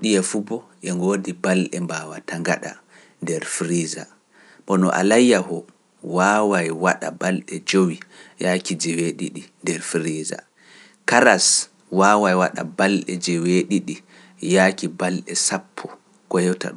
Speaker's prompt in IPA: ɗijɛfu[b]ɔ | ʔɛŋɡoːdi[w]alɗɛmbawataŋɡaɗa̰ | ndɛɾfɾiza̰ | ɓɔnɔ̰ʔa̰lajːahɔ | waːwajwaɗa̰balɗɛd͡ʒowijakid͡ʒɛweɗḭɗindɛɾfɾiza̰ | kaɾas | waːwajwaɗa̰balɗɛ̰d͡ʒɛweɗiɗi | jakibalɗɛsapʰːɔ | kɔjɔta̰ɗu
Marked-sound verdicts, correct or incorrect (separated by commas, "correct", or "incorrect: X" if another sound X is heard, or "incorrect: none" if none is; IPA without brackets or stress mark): correct, incorrect: b